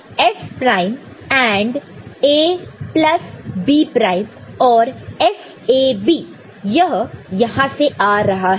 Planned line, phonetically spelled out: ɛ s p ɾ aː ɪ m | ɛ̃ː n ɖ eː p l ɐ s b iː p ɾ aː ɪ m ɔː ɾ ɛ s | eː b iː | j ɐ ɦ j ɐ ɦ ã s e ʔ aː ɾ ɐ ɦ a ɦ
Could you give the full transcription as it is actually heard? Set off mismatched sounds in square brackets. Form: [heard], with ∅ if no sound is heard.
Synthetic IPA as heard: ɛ s p ɾ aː ɪ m | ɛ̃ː [ɳ] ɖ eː p l ɐ s b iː p ɾ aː ɪ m ɔː ɾ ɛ s | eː b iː | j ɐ ɦ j ɐ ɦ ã s e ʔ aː ɾ ɐ ɦ a ɦ

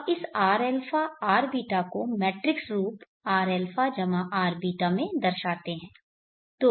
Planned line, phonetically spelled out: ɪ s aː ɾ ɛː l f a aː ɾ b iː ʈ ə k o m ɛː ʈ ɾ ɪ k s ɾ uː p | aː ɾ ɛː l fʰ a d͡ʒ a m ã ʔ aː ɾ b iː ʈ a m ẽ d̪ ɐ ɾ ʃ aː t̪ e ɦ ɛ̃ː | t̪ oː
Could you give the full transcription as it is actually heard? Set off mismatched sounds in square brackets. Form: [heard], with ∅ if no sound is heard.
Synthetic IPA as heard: ɪ s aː ɾ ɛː l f a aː ɾ b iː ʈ [a] k o m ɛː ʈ ɾ ɪ k s ɾ uː p | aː ɾ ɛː l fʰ a d͡ʒ [ɐ] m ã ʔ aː ɾ b iː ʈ a m ẽ d̪ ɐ ɾ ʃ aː t̪ e ɦ ɛ̃ː | t̪ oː

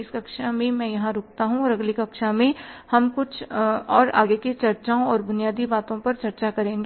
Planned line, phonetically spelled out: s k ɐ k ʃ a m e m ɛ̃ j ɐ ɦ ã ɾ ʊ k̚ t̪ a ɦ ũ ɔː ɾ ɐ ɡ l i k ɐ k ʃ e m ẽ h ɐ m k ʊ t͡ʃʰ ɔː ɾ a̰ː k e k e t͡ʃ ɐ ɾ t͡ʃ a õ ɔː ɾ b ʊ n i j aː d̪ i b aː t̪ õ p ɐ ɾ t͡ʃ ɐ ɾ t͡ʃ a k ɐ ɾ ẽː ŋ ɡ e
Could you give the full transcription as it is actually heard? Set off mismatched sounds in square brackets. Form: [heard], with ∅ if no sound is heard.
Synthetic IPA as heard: s k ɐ k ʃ a m [ẽ] m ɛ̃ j ɐ ɦ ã ɾ ʊ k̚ t̪ a ɦ ũ ɔː ɾ ɐ ɡ l i k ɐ k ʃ [a] m ẽ h ɐ m k ʊ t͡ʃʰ ɔː ɾ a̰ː [ɡ] e k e t͡ʃ ɐ ɾ t͡ʃ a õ ɔː ɾ b ʊ n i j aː d̪ i b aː t̪ õ p ɐ ɾ t͡ʃ ɐ ɾ t͡ʃ a k ɐ ɾ ẽː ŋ ɡ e

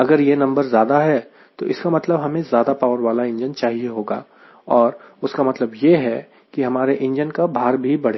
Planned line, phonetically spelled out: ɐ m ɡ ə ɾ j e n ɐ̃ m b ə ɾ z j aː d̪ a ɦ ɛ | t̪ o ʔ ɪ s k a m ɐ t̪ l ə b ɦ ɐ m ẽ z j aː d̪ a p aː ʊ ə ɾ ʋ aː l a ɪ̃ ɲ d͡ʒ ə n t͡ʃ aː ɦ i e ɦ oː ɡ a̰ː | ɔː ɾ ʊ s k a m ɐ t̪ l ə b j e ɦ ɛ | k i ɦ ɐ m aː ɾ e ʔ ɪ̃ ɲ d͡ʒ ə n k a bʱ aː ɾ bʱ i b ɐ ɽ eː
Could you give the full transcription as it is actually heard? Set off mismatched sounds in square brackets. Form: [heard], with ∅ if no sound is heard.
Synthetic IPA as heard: ɐ [∅] ɡ ə ɾ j e n ɐ̃ m b ə ɾ z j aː d̪ a ɦ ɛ | t̪ o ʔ ɪ s k a m ɐ t̪ l ə b ɦ ɐ m ẽ z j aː d̪ a p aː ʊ ə ɾ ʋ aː l a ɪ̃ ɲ d͡ʒ ə n t͡ʃ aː ɦ i e ɦ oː ɡ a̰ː | ɔː ɾ ʊ s k a m ɐ t̪ l ə b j e ɦ ɛ | k i ɦ ɐ m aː ɾ e ʔ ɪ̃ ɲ d͡ʒ ə n k a bʱ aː ɾ bʱ i b ɐ ɽ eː

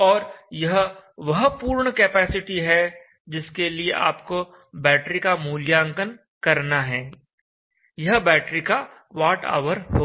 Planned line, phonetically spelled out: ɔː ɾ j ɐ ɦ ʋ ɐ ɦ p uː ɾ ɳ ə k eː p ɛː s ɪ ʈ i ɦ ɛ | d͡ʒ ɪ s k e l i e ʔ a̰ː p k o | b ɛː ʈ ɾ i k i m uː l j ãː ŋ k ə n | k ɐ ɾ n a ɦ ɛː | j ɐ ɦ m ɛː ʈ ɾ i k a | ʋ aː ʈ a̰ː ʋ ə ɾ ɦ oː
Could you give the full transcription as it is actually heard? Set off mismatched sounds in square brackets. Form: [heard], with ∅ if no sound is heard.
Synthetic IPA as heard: ɔː ɾ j ɐ ɦ ʋ ɐ ɦ p uː ɾ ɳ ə k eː p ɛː s ɪ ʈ i ɦ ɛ | d͡ʒ ɪ s k e l i e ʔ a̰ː p k o | b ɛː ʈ ɾ i k [a] m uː l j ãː ŋ k ə n | k ɐ ɾ n a ɦ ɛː | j ɐ ɦ [b] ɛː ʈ ɾ i k a | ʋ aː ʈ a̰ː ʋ ə ɾ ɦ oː

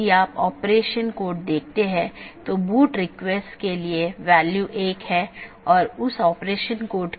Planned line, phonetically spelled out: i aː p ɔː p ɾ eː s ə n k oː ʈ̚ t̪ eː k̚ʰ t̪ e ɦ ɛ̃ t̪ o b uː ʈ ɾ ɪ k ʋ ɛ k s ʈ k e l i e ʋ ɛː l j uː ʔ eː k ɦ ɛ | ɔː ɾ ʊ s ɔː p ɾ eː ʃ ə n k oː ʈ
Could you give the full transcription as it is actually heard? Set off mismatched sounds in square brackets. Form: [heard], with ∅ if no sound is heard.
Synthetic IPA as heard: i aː p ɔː p ɾ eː [ʃ] ə n k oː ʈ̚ [d̪] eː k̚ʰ t̪ e ɦ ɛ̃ t̪ o b uː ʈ ɾ ɪ k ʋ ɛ [∅] s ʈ k e l i e ʋ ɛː l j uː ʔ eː k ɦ ɛ | ɔː ɾ ʊ s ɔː p ɾ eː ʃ ə n k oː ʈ

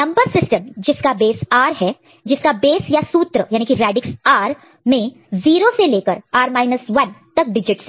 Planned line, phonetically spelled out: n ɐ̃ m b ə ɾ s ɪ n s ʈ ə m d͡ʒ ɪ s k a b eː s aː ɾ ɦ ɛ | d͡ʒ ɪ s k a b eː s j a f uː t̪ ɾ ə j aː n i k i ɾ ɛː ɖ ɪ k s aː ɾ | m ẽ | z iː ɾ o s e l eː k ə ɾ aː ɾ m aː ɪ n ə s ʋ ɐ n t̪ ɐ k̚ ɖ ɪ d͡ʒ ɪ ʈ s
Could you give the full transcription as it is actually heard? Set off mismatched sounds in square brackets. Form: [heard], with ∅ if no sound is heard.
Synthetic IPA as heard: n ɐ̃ m b ə ɾ s ɪ [∅] s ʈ ə m d͡ʒ ɪ s k a b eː s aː ɾ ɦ ɛ | d͡ʒ ɪ s k a b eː s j a [s] uː t̪ ɾ ə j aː n i k i ɾ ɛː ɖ ɪ k s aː ɾ | m ẽ | z iː ɾ o s e l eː k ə ɾ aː ɾ m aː ɪ n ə s ʋ ɐ n t̪ ɐ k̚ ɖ ɪ d͡ʒ ɪ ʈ s

